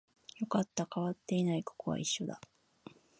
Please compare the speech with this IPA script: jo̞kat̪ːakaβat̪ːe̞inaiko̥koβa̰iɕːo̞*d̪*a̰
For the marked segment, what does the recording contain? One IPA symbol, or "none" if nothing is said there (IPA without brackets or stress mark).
d̪